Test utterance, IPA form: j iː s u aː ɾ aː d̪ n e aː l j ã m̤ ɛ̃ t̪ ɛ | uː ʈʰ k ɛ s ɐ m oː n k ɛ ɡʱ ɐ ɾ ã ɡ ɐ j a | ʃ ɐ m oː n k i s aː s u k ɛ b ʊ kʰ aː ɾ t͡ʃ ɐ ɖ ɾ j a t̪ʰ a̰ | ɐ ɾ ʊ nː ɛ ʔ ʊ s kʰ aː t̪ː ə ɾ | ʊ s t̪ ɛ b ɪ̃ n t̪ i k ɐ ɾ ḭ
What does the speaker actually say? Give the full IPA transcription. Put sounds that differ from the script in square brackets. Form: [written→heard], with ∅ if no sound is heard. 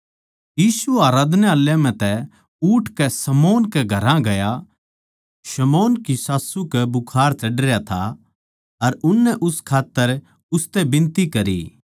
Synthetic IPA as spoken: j iː s u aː ɾ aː d̪ n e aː l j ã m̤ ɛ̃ t̪ ɛ | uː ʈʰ k ɛ s ɐ m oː n k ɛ ɡʱ ɐ ɾ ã ɡ ɐ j a | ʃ ɐ m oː n k i s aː s u k ɛ b ʊ kʰ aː ɾ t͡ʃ ɐ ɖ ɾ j a t̪ʰ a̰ | ɐ ɾ ʊ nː ɛ ʔ ʊ s kʰ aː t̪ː ə ɾ | ʊ s t̪ ɛ b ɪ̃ n t̪ i k ɐ ɾ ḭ